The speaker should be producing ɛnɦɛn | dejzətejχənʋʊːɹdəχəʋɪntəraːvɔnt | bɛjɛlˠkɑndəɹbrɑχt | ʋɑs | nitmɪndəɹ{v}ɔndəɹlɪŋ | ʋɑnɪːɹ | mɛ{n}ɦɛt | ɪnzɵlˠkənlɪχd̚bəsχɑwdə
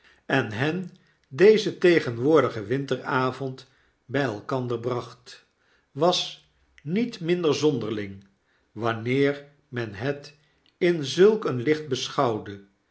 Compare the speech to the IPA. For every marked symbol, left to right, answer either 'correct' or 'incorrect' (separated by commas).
incorrect, correct